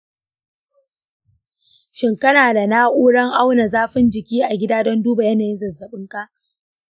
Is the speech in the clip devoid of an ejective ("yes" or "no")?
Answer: yes